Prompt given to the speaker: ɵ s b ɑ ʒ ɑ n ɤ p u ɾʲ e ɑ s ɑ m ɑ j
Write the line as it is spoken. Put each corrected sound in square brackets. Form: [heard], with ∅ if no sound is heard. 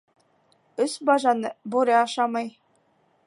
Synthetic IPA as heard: ɵ s b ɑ ʒ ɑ n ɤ [b] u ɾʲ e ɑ [ʃ] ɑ m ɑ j

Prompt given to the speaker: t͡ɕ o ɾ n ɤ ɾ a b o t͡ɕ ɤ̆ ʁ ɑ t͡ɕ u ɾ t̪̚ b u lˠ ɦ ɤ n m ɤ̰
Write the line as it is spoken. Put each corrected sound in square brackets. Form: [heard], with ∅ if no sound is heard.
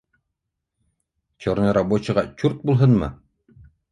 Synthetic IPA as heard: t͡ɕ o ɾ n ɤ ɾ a b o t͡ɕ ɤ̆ ʁ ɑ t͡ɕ u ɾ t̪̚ b u lˠ ɦ ɤ n m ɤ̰

